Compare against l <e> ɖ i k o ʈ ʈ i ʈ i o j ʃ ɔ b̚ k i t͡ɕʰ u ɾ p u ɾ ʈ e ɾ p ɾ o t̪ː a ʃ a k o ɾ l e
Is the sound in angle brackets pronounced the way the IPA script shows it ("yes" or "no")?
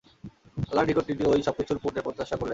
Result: no